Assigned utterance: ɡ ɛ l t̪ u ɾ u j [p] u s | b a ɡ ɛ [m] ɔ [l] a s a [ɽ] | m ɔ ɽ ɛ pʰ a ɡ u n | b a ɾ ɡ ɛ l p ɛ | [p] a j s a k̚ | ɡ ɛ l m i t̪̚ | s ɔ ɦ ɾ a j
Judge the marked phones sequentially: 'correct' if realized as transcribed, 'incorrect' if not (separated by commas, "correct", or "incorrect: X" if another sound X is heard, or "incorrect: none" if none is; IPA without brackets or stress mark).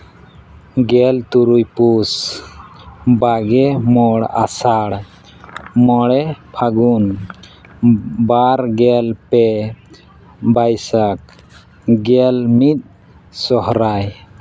correct, correct, incorrect: ɽ, correct, incorrect: b